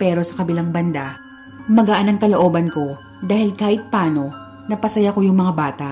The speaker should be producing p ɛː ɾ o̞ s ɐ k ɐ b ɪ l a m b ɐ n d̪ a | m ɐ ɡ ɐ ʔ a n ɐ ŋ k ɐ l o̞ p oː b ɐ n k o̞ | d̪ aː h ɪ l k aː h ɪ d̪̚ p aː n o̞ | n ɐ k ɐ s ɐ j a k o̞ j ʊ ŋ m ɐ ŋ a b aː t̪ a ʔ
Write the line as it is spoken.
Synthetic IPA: p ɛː ɾ o̞ s ɐ k ɐ b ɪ l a ŋ b ɐ n d̪ a | m ɐ ɡ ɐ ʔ a n ɐ ŋ k ɐ l o̞ ʔ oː b ɐ n k o̞ | d̪ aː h ɪ l k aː h ɪ t̪̚ p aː n o̞ | n ɐ p ɐ s ɐ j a k o̞ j ʊ ŋ m ɐ ŋ a b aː t̪ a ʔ